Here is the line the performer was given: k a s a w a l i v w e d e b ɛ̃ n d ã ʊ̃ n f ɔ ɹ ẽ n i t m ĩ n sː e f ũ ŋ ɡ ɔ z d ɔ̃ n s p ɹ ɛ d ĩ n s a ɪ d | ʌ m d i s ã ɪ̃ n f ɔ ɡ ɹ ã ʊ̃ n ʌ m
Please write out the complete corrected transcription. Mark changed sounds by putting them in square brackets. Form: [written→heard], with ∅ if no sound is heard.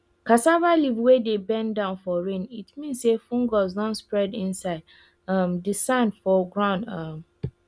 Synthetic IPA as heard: k a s a [w→v] a l i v w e d e b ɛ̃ n d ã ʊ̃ n f ɔ ɹ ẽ n i t m ĩ n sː e f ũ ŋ ɡ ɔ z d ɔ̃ n s p ɹ ɛ d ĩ n s a ɪ d | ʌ m d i s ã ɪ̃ n f ɔ ɡ ɹ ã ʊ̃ n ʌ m

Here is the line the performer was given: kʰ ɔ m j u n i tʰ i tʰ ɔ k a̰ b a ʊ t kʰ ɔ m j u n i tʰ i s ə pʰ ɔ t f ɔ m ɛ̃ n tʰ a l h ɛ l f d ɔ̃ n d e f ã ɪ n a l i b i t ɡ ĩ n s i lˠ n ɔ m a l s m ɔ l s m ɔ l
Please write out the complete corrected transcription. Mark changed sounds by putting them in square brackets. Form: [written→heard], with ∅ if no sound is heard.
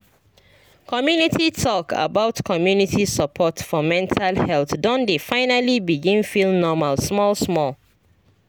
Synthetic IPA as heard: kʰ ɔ m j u n i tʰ i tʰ ɔ k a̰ b a ʊ t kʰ ɔ m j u n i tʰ i s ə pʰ ɔ t f ɔ m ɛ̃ n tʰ a l h ɛ l [f→θ] d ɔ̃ n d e f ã ɪ n a l i b i [t→∅] ɡ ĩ n [s→f] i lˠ n ɔ m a l s m ɔ l s m ɔ l

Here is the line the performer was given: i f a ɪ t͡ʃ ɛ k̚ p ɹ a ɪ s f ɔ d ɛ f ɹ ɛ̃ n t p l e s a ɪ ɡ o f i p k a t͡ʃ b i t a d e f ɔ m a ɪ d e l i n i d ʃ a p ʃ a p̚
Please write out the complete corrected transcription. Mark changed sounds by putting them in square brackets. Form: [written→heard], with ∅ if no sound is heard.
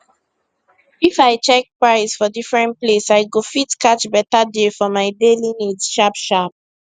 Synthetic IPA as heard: i f a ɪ t͡ʃ ɛ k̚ p ɹ a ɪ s f ɔ d [ɛ→i] f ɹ ɛ̃ n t p l e s a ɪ ɡ o f i [p→t] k a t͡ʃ b [i→ɛ] t a d e f ɔ m a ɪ d e l i n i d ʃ a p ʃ a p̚

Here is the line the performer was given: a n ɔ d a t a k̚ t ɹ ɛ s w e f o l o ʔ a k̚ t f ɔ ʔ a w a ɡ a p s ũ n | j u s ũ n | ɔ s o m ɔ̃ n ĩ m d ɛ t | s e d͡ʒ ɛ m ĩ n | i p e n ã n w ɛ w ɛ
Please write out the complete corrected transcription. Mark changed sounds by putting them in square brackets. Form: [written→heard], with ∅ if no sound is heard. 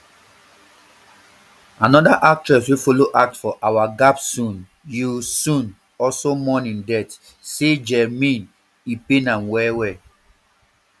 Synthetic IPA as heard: a n ɔ d a [t→ʔ] a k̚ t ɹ ɛ s w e f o l o ʔ a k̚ t f ɔ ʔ a w a ɡ a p s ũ n | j u s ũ n | ɔ s o m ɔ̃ n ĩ [m→n] d ɛ t | s e d͡ʒ ɛ m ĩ n | i p e n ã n w ɛ w ɛ

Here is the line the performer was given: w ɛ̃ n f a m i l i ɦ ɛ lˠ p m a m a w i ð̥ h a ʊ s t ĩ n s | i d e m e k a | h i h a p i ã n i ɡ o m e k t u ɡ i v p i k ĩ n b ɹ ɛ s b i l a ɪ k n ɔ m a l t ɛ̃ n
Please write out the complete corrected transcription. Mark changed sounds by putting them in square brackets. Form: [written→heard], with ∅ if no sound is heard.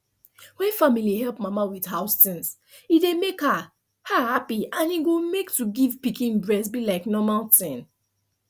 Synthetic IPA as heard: w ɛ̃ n f a m i l i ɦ ɛ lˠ p m a m a w i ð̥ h a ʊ s t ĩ n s | i d e m e k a | h [i→a] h a p i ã n i ɡ o m e k t u ɡ i v p i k ĩ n b ɹ ɛ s b i l a ɪ k n ɔ m a l t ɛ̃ n

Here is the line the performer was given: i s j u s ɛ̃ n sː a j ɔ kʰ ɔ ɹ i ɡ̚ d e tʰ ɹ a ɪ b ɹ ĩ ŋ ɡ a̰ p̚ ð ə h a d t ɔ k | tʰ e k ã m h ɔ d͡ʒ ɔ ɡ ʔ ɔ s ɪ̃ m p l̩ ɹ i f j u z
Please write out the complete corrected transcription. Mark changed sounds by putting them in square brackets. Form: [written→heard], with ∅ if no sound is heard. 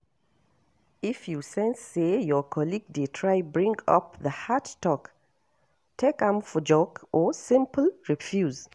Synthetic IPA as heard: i [s→f] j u s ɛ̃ n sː [a→e] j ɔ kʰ ɔ [ɹ→l] i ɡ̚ d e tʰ ɹ a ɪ b ɹ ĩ ŋ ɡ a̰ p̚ ð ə h a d t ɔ k | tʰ e k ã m [h→f] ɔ d͡ʒ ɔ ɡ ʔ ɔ s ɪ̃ m p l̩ ɹ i f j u z

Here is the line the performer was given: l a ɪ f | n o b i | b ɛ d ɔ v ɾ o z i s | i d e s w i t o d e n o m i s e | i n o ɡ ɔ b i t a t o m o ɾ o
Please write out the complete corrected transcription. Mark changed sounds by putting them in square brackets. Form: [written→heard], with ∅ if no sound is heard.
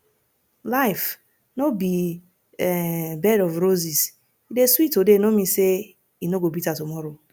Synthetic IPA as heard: l a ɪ f | n o b i | b ɛ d ɔ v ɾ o z i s | i d e s w i t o d e n o m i s e | i n o ɡ [ɔ→o] b i t a t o m [o→ɔ] ɾ o

